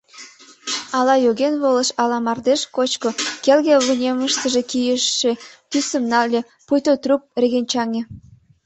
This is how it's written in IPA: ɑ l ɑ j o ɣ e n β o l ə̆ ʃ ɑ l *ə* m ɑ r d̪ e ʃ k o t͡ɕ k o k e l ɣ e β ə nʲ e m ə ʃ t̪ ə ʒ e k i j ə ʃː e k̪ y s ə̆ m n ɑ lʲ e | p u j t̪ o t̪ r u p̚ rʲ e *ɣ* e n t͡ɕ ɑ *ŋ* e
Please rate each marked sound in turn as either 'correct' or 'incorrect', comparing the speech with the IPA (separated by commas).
incorrect, correct, correct